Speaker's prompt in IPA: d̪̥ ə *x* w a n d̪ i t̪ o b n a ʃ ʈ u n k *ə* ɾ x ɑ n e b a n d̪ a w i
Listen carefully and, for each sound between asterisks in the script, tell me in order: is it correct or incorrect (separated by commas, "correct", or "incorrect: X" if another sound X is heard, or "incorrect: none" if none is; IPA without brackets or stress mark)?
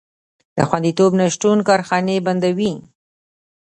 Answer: correct, incorrect: ɑ